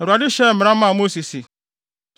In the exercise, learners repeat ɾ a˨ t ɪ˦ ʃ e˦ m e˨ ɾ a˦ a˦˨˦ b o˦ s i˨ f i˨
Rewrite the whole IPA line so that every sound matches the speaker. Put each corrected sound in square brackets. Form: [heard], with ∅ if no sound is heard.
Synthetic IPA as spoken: ɾ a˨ [d] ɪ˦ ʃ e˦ m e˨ ɾ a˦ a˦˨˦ [m] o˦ s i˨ [s] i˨